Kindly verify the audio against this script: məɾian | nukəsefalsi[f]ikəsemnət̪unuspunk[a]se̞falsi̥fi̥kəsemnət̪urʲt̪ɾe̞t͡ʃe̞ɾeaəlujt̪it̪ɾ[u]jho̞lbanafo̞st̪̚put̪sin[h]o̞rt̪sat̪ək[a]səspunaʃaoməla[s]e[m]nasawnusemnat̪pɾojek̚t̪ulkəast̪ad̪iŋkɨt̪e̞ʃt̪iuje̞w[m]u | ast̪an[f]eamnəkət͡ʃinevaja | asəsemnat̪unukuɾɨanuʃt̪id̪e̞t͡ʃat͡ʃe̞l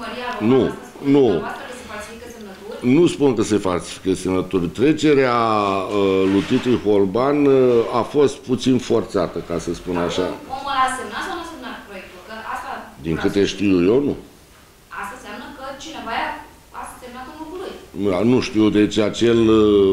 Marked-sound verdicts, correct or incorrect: correct, incorrect, correct, incorrect, correct, correct, correct, incorrect, incorrect

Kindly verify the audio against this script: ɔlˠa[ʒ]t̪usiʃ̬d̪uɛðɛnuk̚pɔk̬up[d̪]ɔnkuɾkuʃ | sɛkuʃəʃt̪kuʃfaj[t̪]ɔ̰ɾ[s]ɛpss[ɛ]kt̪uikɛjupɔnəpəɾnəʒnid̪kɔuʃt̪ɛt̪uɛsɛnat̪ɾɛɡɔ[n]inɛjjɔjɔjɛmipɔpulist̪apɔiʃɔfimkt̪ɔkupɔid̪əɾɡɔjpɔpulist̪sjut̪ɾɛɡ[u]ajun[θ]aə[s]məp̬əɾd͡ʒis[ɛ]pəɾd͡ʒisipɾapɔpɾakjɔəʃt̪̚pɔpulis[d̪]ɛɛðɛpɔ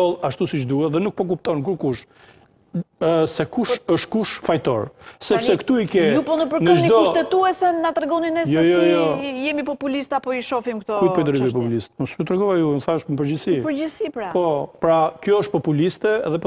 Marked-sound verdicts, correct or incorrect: incorrect, incorrect, correct, correct, correct, correct, incorrect, correct, incorrect, incorrect, incorrect

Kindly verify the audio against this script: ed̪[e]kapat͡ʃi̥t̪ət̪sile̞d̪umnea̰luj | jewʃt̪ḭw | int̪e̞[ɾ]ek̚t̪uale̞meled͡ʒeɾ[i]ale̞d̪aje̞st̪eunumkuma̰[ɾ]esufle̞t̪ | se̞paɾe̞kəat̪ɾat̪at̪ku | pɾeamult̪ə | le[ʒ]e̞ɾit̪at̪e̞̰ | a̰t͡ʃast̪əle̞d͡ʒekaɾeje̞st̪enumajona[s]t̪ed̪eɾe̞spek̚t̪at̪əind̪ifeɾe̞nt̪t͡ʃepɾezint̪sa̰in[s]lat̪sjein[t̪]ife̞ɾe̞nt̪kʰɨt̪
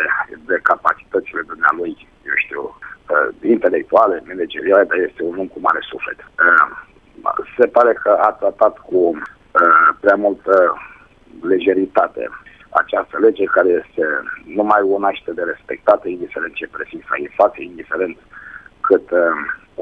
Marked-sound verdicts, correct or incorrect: correct, incorrect, correct, correct, correct, incorrect, incorrect, incorrect

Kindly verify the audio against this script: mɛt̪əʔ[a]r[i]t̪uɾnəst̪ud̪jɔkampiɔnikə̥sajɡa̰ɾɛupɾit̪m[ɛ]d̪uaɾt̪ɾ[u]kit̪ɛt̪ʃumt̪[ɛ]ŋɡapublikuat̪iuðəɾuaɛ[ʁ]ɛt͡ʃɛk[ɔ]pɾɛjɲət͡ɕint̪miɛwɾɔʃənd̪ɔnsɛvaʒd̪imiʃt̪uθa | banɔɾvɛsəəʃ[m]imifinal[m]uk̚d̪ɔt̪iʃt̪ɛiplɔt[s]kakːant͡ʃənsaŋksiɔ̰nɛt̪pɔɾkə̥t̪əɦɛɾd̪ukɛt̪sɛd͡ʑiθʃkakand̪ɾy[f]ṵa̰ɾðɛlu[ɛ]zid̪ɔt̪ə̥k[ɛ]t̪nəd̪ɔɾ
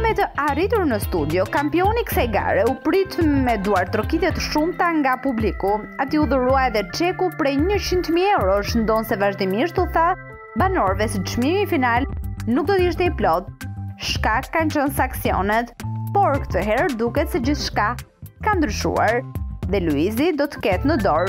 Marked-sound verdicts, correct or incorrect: correct, correct, correct, incorrect, incorrect, incorrect, incorrect, correct, incorrect, incorrect, incorrect, incorrect, correct

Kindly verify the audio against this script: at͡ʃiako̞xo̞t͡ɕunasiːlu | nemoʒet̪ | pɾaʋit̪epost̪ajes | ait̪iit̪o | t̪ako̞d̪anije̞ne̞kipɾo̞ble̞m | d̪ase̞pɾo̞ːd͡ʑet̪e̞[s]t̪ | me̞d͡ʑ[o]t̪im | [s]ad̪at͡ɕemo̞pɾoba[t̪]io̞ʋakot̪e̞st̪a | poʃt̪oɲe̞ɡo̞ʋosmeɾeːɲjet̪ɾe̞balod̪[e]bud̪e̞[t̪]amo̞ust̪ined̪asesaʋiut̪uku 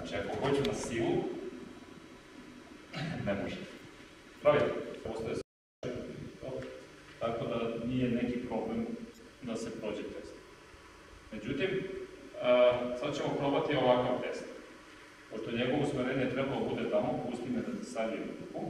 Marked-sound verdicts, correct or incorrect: correct, incorrect, correct, correct, incorrect, correct

